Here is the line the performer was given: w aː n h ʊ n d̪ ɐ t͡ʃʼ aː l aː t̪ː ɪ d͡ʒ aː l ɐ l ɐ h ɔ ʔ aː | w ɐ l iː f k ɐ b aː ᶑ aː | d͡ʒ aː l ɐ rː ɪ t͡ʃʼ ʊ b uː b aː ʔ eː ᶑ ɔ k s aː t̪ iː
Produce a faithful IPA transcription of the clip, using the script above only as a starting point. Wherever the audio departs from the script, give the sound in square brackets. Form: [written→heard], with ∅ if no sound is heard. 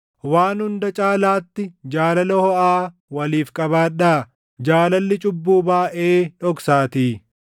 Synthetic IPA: w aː n h ʊ n d̪ ɐ t͡ʃʼ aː l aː t̪ː ɪ d͡ʒ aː l ɐ l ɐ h ɔ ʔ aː | w ɐ l iː f [k→kʼ] ɐ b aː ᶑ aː | d͡ʒ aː l ɐ [rː→lː] ɪ t͡ʃʼ ʊ [b→bː] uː b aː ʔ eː ᶑ ɔ k s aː t̪ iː